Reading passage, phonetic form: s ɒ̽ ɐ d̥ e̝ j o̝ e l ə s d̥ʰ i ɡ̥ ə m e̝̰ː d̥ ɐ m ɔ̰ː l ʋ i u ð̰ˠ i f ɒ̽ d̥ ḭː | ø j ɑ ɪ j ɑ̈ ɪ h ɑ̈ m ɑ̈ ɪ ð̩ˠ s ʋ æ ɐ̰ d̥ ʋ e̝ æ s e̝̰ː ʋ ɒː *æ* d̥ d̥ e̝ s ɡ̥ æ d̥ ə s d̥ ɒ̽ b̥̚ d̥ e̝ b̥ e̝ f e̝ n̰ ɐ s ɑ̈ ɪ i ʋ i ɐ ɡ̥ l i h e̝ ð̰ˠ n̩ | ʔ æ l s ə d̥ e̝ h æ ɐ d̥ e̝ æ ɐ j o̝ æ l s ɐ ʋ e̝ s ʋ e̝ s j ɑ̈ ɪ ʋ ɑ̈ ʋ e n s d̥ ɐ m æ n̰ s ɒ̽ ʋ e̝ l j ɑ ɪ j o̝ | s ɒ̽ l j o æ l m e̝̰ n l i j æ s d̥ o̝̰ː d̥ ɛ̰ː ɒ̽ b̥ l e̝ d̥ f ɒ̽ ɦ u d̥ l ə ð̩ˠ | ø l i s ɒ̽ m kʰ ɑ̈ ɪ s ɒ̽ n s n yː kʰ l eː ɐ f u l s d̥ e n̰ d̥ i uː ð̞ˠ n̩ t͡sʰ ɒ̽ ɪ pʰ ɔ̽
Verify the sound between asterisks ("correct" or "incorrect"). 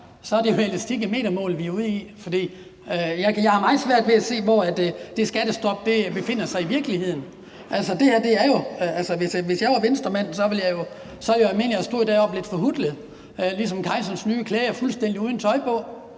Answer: correct